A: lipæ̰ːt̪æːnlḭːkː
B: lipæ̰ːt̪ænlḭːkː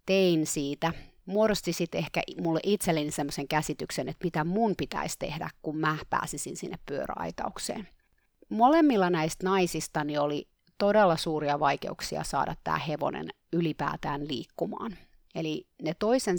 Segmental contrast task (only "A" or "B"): A